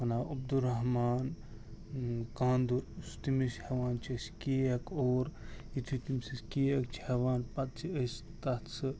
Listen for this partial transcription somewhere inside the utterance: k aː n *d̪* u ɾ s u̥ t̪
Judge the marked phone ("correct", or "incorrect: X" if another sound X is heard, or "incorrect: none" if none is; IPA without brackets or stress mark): correct